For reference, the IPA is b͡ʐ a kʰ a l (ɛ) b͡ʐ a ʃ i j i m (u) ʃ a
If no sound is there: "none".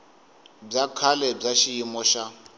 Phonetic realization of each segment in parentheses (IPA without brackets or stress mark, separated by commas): ɛ, ɔ